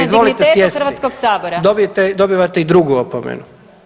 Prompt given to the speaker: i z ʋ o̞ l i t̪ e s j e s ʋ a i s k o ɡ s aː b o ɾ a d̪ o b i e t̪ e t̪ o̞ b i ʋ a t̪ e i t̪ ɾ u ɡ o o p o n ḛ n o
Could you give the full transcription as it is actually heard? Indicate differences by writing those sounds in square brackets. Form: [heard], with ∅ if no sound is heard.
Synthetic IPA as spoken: i z ʋ o̞ l i t̪ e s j e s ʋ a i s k o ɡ s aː b o ɾ a d̪ o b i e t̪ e [d̪] o̞ b i ʋ a t̪ e i [d̪] ɾ u ɡ [u] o p o [m] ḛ n [u]